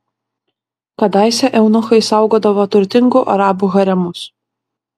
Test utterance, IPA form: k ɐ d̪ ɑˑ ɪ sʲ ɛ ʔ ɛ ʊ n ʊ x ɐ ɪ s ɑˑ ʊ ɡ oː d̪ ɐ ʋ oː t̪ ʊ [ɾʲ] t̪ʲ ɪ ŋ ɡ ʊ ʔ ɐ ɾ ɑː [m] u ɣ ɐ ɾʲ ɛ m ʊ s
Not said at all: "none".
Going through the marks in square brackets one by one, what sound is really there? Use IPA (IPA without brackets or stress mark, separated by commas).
ɾʲ, b